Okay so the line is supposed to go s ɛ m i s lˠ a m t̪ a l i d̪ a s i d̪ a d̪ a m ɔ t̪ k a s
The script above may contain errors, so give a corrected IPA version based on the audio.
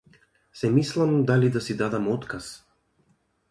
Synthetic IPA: s ɛ m i s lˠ a m d̪ a l i d̪ a s i d̪ a d̪ a m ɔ t̪ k a s